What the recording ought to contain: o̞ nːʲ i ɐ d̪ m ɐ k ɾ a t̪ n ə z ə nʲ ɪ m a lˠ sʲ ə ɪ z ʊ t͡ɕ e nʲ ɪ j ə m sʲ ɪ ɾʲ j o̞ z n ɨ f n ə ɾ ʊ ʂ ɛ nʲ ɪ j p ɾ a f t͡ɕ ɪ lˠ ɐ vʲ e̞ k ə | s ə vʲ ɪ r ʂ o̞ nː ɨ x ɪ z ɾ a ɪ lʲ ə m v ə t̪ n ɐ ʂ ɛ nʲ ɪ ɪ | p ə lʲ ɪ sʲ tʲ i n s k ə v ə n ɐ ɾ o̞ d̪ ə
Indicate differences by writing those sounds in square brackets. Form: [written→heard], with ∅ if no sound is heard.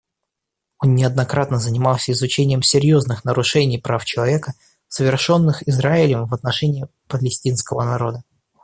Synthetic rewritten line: o̞ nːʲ [i→ɪ] ɐ d̪ [m→n] ɐ k ɾ a t̪ n ə z ə nʲ ɪ m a lˠ sʲ ə ɪ z ʊ t͡ɕ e nʲ ɪ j ə m sʲ ɪ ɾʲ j o̞ z n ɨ [f→x] n ə ɾ ʊ ʂ ɛ nʲ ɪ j p ɾ a f t͡ɕ ɪ lˠ ɐ vʲ e̞ k ə | s ə vʲ ɪ r ʂ o̞ nː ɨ x ɪ z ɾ a ɪ lʲ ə m v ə t̪ n ɐ ʂ ɛ nʲ ɪ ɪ | p ə lʲ ɪ sʲ tʲ i n s k ə v ə n ɐ ɾ o̞ d̪ ə